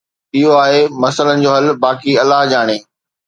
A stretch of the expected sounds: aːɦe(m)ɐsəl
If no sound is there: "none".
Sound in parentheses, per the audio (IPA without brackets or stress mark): m